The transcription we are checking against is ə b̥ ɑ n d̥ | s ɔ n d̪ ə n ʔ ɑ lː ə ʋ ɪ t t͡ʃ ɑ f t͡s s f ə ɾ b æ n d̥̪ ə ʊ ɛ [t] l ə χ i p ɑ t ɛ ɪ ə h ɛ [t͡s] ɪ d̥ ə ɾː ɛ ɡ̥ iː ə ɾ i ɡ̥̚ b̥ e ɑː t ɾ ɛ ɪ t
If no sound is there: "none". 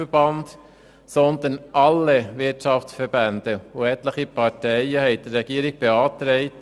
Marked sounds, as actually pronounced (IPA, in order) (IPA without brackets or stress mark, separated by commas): t, none